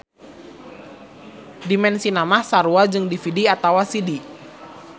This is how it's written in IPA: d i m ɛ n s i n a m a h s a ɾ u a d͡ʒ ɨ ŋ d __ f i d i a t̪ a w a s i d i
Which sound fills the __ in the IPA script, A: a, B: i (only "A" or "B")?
B